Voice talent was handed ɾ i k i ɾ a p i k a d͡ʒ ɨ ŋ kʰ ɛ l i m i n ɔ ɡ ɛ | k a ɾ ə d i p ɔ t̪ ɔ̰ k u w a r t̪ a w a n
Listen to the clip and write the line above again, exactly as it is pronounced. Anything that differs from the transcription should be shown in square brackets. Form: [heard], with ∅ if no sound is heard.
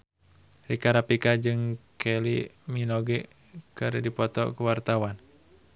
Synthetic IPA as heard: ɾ i k [a] ɾ a p i k a d͡ʒ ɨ ŋ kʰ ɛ l i m i n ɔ ɡ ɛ | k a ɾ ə d i p ɔ t̪ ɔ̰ k u w a r t̪ a w a n